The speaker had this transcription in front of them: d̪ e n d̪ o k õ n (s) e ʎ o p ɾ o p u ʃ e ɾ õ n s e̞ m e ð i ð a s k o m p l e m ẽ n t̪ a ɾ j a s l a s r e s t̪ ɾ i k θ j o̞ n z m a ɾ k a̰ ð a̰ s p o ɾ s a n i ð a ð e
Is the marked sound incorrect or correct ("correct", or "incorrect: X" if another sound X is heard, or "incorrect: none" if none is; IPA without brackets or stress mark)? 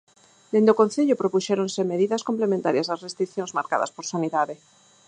incorrect: θ